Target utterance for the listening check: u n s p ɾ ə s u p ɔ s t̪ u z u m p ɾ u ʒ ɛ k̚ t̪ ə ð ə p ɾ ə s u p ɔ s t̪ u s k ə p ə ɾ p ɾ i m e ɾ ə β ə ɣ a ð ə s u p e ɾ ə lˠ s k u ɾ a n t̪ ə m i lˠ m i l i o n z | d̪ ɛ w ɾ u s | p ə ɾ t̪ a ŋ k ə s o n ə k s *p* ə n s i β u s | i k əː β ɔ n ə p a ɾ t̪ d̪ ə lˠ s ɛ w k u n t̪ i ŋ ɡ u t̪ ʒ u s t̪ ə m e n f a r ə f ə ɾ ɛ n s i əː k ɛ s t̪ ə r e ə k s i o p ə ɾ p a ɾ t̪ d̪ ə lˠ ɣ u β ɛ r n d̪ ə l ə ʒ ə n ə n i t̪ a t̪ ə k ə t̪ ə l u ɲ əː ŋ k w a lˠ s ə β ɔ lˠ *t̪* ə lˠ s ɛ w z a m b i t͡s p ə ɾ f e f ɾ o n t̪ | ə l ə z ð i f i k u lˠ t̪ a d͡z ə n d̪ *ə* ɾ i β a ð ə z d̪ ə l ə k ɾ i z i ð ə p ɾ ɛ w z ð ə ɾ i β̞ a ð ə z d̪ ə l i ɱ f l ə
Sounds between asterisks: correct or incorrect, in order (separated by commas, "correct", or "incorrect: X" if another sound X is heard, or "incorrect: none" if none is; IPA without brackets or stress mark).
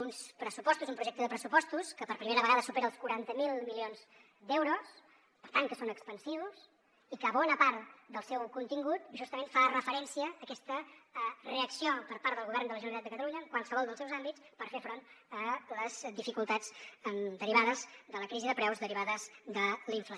correct, incorrect: d̪, correct